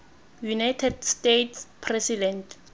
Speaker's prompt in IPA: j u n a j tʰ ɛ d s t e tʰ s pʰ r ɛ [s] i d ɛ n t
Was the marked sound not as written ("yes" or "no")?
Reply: no